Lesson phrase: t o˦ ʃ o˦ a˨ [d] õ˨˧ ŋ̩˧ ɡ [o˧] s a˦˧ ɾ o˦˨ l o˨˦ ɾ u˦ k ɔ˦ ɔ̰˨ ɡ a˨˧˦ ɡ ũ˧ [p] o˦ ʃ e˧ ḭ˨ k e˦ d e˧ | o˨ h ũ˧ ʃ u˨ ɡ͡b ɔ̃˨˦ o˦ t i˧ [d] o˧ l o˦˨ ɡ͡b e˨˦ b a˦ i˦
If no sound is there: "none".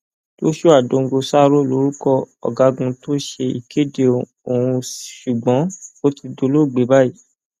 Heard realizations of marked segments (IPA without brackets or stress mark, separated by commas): d, o˧, t, d